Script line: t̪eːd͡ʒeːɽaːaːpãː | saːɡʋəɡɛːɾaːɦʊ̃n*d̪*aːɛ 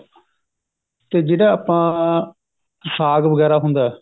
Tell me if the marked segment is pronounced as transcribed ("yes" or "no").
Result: yes